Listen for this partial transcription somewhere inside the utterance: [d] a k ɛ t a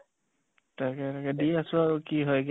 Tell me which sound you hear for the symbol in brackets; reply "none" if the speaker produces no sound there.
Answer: t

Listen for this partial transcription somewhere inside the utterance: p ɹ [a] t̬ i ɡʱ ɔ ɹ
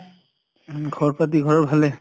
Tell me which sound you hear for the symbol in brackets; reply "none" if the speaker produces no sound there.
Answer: a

